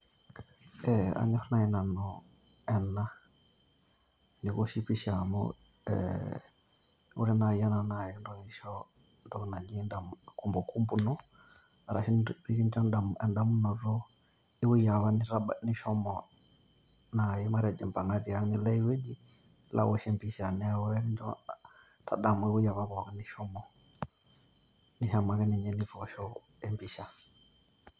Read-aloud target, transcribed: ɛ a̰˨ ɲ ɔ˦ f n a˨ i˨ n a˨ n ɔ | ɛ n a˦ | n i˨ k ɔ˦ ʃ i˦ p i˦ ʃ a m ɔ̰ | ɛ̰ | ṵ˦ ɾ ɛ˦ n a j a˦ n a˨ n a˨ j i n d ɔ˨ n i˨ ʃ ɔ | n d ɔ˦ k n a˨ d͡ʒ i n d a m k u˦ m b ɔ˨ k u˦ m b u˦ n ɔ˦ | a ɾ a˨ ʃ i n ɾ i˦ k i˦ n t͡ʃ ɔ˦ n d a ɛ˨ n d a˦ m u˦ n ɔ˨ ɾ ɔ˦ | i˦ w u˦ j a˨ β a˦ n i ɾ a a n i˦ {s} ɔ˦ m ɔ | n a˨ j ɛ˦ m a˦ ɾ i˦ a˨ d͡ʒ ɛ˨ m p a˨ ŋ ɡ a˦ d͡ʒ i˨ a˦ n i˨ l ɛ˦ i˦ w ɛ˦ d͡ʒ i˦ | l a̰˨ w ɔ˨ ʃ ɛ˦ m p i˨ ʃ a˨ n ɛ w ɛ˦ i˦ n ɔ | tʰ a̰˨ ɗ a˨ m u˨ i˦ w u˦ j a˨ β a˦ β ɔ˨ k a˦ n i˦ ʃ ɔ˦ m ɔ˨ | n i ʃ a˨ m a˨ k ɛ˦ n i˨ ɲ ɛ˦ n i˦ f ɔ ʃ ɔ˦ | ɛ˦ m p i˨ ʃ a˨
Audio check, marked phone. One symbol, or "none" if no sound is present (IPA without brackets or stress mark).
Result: ʃ